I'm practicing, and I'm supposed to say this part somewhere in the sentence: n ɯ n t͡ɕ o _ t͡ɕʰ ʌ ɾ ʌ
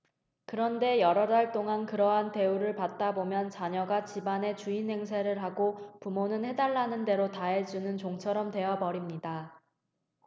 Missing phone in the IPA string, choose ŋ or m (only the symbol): ŋ